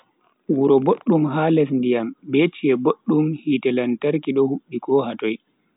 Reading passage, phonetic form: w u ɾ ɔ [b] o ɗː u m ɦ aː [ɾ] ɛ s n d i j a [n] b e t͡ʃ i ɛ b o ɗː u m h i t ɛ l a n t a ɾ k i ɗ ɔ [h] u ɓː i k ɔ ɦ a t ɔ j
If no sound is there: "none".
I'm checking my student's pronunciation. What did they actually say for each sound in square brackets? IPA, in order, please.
b, l, m, h

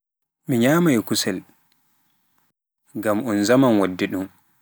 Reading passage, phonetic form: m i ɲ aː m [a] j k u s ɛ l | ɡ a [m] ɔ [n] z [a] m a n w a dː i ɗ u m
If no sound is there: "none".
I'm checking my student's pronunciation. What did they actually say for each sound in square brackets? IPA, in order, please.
a, m, n, a

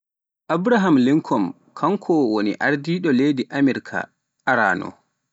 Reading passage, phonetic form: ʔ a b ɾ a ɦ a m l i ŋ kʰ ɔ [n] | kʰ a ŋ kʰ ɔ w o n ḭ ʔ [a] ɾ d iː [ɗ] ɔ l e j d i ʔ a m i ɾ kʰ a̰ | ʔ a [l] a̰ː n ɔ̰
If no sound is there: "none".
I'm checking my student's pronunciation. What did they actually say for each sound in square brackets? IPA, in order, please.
m, a, ɗ, ɾ

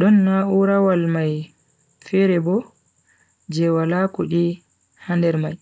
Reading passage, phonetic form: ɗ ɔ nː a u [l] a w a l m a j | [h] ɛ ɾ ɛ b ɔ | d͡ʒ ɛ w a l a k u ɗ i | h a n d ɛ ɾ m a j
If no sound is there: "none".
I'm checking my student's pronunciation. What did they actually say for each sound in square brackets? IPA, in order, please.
ɾ, f

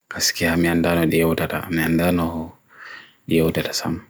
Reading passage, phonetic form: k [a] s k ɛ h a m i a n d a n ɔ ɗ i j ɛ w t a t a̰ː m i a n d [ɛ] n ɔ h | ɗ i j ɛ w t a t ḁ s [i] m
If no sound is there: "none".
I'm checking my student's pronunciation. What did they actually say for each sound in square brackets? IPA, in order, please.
a, a, a

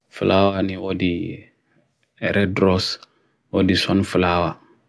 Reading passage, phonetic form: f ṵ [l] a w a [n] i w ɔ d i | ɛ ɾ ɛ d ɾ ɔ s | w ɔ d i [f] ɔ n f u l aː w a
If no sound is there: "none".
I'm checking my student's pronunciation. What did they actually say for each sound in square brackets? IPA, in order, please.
l, n, s

